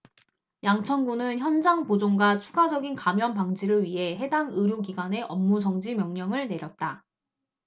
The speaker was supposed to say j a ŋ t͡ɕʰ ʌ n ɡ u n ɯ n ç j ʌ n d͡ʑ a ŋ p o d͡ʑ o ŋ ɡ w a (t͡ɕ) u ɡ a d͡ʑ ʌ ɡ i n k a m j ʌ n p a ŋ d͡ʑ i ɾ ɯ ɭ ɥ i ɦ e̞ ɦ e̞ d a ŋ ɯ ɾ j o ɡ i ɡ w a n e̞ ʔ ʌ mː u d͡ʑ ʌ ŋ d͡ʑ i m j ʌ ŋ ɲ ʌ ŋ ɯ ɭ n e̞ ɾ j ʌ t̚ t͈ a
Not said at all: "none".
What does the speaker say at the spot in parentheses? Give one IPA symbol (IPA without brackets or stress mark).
t͡ɕʰ